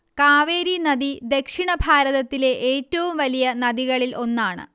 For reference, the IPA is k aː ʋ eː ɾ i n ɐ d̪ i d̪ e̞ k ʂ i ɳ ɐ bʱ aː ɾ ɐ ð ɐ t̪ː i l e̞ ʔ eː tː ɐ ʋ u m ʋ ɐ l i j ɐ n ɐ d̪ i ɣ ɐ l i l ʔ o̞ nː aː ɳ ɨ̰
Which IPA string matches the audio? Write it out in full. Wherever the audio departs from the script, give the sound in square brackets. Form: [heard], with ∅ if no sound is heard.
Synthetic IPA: k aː ʋ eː ɾ i n ɐ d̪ i d̪ e̞ k ʂ i ɳ ɐ bʱ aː ɾ ɐ ð ɐ t̪ː i l e̞ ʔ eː tː ɐ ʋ u m ʋ ɐ l i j ɐ n ɐ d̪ i ɣ ɐ [ɭ] i l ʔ o̞ nː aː ɳ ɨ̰